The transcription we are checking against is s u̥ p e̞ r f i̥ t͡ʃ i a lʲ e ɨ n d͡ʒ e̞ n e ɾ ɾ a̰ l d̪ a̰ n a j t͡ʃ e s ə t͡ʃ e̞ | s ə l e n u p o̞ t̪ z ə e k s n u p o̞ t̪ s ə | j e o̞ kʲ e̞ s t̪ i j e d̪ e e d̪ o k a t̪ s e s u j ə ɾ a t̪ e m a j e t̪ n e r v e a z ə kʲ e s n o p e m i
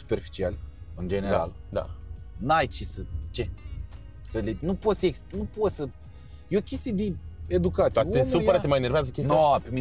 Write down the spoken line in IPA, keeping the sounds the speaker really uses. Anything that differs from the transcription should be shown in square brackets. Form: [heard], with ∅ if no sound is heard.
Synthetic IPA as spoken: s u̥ p e̞ r f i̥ t͡ʃ i a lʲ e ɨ n d͡ʒ e̞ n e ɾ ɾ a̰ l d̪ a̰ n a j t͡ʃ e s ə t͡ʃ e̞ | s ə l e n u p o̞ t̪ [s] ə e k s n u p o̞ t̪ s ə | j e o̞ kʲ e̞ s t̪ i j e d̪ e e d̪ [u] k a t̪ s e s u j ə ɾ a t̪ e m a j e [∅] n e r v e a z ə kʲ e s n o p e m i